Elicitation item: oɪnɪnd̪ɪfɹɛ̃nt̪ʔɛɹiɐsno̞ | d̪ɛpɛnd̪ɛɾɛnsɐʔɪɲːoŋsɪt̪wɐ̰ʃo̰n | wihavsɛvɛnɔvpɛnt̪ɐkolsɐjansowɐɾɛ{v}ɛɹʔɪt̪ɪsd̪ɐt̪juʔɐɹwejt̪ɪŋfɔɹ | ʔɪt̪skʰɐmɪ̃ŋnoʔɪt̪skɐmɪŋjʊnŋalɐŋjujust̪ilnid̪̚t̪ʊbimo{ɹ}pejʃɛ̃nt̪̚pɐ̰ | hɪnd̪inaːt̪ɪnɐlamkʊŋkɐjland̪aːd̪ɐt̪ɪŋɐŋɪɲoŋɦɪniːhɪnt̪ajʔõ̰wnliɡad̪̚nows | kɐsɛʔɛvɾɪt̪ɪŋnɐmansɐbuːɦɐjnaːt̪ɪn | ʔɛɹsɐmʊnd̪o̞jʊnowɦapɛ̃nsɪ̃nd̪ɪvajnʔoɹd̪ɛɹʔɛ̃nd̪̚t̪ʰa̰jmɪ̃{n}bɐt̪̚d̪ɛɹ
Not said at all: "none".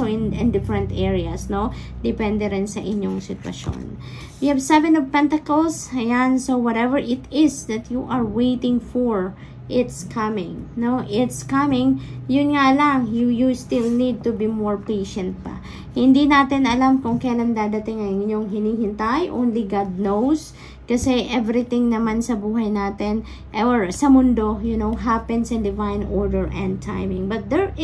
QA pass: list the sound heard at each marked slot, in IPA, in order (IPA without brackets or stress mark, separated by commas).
v, ɹ, ŋ